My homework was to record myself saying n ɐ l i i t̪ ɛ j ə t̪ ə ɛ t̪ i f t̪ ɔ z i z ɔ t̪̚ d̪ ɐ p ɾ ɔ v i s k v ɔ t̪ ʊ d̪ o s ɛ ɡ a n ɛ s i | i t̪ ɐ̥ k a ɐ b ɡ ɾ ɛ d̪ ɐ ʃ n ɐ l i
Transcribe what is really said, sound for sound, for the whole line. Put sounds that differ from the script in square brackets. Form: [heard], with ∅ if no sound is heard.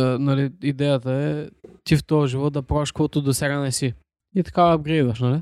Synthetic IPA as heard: n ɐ l i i [d̪] ɛ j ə t̪ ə ɛ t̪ i f t̪ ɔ [ʒ] i [v] ɔ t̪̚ d̪ ɐ p ɾ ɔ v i [ʃ] k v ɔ t̪ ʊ d̪ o s ɛ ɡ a n ɛ s i | i t̪ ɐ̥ k a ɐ b ɡ ɾ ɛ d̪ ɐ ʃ n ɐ l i